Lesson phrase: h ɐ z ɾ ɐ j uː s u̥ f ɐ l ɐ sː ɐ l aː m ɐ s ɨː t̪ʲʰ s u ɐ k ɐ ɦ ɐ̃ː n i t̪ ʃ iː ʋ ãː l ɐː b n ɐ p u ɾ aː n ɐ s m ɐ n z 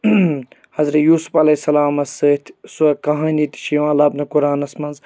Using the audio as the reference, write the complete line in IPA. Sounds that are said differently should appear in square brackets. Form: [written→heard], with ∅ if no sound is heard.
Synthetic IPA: h ɐ z ɾ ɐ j uː s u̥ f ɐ l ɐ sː ɐ l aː m ɐ s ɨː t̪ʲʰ s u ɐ k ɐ ɦ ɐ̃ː n i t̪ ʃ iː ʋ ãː l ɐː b n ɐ [p→k] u ɾ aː n ɐ s m ɐ n z